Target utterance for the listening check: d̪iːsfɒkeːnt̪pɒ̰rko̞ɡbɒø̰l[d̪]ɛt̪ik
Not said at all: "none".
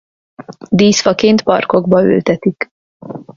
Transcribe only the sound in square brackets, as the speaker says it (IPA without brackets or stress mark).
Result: t̪